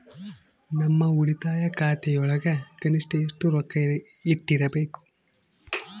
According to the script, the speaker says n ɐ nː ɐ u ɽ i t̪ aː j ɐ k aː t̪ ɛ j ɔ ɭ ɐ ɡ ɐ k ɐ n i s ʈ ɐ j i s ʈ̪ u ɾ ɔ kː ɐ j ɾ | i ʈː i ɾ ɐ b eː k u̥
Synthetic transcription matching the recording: n ɐ mː ɐ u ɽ i t̪ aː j ɐ k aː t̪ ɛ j ɔ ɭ ɐ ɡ ɐ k ɐ n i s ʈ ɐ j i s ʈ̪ u ɾ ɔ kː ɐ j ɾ | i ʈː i ɾ ɐ b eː k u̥